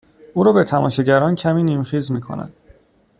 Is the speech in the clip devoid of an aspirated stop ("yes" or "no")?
no